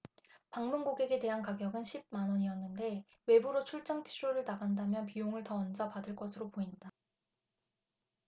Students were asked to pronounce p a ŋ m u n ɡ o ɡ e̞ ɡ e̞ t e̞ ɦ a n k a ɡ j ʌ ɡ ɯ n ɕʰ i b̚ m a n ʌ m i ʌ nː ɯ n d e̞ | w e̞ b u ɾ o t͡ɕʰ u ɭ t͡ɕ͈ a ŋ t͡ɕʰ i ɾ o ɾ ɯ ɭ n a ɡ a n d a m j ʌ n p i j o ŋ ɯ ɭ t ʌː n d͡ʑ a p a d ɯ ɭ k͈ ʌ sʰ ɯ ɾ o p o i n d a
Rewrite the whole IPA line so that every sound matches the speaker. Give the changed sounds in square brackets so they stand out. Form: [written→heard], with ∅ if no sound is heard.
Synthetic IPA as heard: p a ŋ m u n ɡ o ɡ e̞ ɡ e̞ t e̞ ɦ a n k a ɡ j ʌ ɡ ɯ n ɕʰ i b̚ m a n ʌ [m→ɲ] i ʌ nː ɯ n d e̞ | w e̞ b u ɾ o t͡ɕʰ u ɭ t͡ɕ͈ a ŋ t͡ɕʰ i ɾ o ɾ ɯ ɭ n a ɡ a n d a m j ʌ n p i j o ŋ ɯ ɭ t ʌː n d͡ʑ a p a d ɯ ɭ k͈ ʌ sʰ ɯ ɾ o p o i n d a